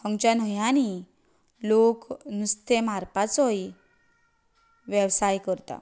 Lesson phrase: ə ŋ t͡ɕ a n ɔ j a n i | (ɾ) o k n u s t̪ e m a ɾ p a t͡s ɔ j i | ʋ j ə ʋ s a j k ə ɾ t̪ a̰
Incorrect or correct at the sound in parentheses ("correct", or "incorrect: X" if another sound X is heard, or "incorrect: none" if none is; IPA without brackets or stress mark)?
incorrect: l